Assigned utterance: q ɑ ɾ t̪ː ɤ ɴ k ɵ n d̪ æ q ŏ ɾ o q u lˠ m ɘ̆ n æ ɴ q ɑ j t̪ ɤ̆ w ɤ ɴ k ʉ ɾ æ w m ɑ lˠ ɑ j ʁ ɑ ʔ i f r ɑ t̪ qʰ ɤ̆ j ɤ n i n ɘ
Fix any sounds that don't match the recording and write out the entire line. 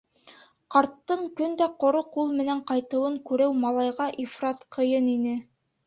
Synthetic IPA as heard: q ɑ ɾ t̪ː ɤ ɴ k ɵ n d̪ æ q ŏ ɾ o q u lˠ m ɘ̆ n æ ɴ q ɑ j t̪ ɤ̆ w ɤ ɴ k ʉ ɾ æ w m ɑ lˠ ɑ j ʁ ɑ ʔ i f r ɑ t̪ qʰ ɤ̆ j ɤ n i n ɘ